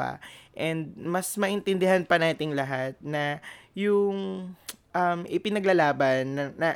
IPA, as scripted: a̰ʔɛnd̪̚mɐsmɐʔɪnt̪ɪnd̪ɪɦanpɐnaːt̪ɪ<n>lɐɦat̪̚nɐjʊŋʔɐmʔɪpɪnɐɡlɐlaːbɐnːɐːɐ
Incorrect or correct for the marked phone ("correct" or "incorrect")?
incorrect